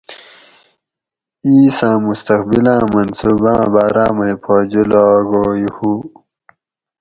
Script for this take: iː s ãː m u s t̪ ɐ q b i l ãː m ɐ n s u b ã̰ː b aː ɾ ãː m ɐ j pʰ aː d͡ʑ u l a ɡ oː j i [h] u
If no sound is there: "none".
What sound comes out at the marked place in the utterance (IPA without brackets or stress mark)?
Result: h